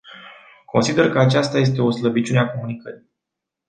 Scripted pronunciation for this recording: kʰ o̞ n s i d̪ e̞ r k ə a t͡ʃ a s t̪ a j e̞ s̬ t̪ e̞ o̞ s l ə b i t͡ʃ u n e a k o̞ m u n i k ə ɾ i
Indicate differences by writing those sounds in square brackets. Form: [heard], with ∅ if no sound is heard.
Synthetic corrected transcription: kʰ o̞ n s i d̪ e̞ r k ə a t͡ʃ a s t̪ a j e̞ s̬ t̪ e̞ o̞ s l ə b i t͡ʃ u n e a k o̞ m u n i k ə ɾ i